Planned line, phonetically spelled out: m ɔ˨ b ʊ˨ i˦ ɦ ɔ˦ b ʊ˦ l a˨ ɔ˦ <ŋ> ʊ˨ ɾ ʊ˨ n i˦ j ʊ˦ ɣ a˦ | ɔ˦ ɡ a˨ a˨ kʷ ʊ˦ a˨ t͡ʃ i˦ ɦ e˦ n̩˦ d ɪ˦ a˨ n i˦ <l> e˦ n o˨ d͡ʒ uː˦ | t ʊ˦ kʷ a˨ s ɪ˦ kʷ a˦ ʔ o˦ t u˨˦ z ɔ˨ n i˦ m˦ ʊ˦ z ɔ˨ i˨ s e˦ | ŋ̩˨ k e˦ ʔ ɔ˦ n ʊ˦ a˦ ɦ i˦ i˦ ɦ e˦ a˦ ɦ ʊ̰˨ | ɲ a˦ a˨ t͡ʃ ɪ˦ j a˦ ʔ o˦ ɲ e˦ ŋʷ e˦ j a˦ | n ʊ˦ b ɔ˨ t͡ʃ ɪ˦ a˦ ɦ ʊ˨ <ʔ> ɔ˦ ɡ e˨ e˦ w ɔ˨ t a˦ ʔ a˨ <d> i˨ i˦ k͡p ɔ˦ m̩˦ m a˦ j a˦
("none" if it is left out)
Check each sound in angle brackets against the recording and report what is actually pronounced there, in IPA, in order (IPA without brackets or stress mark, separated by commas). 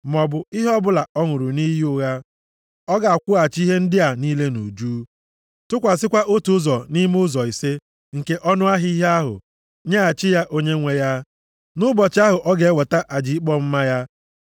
ŋ, l, ʔ, d͡ʒ